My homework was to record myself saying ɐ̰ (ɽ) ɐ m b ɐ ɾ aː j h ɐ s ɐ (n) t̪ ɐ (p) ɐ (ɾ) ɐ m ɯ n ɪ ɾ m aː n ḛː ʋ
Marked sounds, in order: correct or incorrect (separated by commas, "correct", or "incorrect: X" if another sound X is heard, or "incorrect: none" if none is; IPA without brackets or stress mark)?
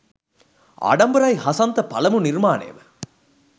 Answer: correct, correct, correct, incorrect: l